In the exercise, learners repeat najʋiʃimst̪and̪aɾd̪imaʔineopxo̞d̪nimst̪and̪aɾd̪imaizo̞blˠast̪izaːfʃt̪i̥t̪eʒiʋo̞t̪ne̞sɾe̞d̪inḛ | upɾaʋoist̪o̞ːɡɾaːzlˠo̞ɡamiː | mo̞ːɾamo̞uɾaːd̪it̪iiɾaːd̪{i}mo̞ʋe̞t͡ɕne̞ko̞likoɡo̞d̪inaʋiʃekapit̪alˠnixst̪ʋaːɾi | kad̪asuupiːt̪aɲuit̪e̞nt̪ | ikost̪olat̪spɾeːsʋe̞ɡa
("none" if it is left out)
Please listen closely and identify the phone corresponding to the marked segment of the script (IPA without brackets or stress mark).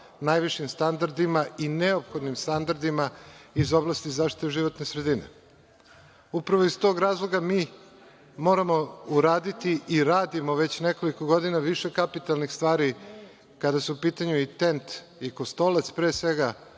i